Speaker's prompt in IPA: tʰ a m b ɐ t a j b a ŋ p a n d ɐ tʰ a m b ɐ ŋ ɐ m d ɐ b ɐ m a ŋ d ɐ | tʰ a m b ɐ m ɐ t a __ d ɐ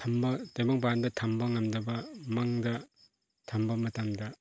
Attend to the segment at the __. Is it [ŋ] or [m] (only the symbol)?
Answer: m